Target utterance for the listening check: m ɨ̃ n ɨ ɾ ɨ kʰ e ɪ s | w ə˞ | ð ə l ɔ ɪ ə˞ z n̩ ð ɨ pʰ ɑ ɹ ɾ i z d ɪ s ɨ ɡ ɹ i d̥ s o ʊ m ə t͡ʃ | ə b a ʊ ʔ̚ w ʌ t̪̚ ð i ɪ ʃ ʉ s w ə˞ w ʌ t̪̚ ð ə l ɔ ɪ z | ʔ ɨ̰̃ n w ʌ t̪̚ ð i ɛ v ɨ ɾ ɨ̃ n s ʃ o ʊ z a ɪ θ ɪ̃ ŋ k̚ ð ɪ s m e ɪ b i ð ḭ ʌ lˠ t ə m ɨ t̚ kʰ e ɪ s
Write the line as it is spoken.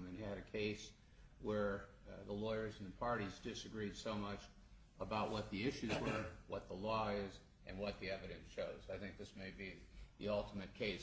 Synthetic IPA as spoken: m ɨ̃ n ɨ ɾ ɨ kʰ e ɪ s | w ə˞ | ð ə l ɔ ɪ ə˞ z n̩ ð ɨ pʰ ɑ ɹ ɾ i z d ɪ s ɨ ɡ ɹ i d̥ s o ʊ m ʌ t͡ʃ | ə b a ʊ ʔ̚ w ʌ t̪̚ ð i ɪ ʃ ʉ z w ə˞ w ʌ t̪̚ ð ə l ɔ ɪ z | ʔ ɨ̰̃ n w ʌ t̪̚ ð i ɛ v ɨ ɾ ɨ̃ n s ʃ o ʊ z a ɪ θ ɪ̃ ŋ k̚ ð ɪ s m e ɪ b i ð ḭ ʌ lˠ t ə m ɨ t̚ kʰ e ɪ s

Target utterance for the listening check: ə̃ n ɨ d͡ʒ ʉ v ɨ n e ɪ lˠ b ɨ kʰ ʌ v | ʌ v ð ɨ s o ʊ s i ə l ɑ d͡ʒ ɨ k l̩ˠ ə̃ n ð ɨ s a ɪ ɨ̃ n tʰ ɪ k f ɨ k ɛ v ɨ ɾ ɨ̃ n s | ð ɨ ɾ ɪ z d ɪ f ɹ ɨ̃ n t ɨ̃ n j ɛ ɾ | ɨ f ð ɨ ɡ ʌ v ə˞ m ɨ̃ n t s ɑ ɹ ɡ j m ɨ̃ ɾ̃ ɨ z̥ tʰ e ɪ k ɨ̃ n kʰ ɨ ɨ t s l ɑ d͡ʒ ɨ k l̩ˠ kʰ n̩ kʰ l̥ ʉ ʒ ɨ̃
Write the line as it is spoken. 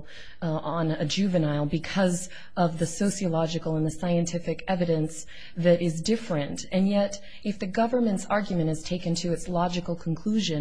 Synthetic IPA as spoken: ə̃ n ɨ d͡ʒ ʉ v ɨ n a ɪ lˠ b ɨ kʰ ʌ z | ʌ v ð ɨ s o ʊ s i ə l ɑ d͡ʒ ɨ k l̩ˠ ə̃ n ð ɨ s a ɪ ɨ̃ n tʰ ɪ f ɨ k ɛ v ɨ ɾ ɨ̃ n s | ð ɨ ɾ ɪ z d ɪ f ɹ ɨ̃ n t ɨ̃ n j ɛ ɾ | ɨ f ð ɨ ɡ ʌ v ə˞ m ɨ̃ n t s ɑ ɹ ɡ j m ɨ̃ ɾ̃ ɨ z̥ tʰ e ɪ k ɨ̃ n tʰ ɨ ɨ t s l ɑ d͡ʒ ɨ k l̩ˠ kʰ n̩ kʰ l̥ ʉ ʒ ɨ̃

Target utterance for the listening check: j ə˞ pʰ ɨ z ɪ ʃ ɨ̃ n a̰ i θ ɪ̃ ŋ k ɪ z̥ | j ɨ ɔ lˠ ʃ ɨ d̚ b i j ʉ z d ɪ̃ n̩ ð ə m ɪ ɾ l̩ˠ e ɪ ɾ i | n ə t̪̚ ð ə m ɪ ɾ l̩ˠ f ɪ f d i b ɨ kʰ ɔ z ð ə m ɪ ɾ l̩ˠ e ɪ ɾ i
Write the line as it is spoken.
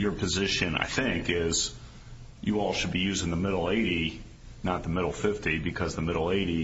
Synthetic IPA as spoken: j ə˞ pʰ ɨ z ɪ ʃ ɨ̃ n a̰ ɪ θ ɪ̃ ŋ k ɪ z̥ | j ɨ ɔ lˠ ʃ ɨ d̚ b i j ʉ z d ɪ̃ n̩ ð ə m ɪ ɾ l̩ˠ e ɪ ɾ i | n ə t̪̚ ð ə m ɪ ɾ l̩ˠ f ɪ f t i b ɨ kʰ ʌ z ð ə m ɪ ɾ l̩ˠ e ɪ ɾ i

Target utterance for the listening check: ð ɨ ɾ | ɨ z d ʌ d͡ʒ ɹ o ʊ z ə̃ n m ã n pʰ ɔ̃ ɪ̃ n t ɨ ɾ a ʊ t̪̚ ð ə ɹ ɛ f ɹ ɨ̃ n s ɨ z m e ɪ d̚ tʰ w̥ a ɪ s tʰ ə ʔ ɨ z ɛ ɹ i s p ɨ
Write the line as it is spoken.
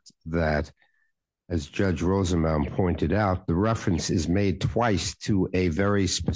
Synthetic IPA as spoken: ð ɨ ɾ | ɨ z d͡ʒ ʌ d͡ʒ ɹ o ʊ z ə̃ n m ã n pʰ ɔ̃ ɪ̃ n t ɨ ɾ a ʊ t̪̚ ð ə ɹ ɛ f ɹ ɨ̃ n s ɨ z m e ɪ d̚ tʰ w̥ a ɪ s tʰ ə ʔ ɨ v ɛ ɹ i s p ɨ

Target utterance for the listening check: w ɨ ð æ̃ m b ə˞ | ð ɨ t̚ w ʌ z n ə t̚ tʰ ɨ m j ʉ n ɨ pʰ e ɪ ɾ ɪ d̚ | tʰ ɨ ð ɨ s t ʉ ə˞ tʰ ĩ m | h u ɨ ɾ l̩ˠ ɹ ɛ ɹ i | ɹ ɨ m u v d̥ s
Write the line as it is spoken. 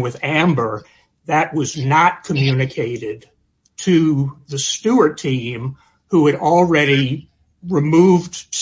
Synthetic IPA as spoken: w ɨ ð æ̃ m b ə˞ | ð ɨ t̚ w ʌ z n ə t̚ kʰ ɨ m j ʉ n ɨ kʰ e ɪ ɾ ɪ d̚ | tʰ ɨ ð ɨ s t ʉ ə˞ tʰ ĩ m | h u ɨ ɾ l̩ˠ ɹ ɛ ɾ i | ɹ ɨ m u v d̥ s

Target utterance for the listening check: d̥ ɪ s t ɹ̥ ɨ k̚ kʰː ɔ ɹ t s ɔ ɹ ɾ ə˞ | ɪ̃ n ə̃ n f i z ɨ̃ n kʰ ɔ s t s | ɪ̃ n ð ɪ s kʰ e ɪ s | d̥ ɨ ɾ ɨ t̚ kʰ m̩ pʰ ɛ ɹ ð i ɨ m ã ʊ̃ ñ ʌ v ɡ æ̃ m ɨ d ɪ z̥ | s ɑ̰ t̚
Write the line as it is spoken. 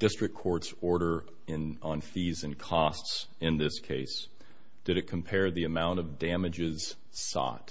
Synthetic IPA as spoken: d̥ ɪ s t ɹ̥ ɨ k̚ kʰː ɔ ɹ t s ɔ ɹ ɾ ə˞ | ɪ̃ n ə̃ n f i z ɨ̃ n kʰ ɔ s t s | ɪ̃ n ð ɪ s kʰ e ɪ s | d̥ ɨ ɾ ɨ t̚ kʰ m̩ pʰ ɛ ɹ ð i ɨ m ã ʊ̃ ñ ʌ v d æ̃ m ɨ d͡ʒ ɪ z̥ | s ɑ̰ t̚

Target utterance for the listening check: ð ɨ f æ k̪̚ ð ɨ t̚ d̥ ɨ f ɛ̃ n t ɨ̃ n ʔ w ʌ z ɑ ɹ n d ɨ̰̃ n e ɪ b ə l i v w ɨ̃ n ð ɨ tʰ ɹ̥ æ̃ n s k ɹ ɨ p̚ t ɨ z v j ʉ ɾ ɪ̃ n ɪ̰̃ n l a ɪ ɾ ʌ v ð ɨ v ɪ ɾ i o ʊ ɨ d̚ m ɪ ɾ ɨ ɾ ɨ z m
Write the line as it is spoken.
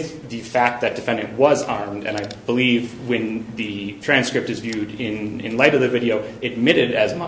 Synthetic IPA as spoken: ð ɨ f æ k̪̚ ð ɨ t̚ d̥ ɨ f ɛ̃ n d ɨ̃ n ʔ w ʌ z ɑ ɹ m d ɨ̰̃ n a ɪ b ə l i v w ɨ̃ n ð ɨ tʰ ɹ̥ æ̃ n s k ɹ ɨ p̚ t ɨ z v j ʉ ɾ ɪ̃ n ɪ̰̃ n l a ɪ ɾ ʌ v ð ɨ v ɪ ɾ i o ʊ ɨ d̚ m ɪ ɾ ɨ ɾ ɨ z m

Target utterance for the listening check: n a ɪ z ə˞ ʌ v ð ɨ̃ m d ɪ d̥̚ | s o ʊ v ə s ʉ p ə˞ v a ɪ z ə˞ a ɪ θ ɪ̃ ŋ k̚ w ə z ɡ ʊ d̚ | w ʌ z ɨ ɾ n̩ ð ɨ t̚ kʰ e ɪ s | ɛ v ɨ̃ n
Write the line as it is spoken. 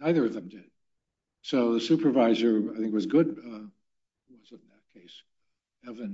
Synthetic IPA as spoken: n a ɪ ð ə˞ ʌ v ð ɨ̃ m d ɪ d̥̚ | s o ʊ ð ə s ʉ p ə˞ v a ɪ z ə˞ a ɪ θ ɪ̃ ŋ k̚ w ʌ z ɡ ʊ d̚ | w ʌ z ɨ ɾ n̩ ð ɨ t̚ kʰ e ɪ s | ɛ v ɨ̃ n

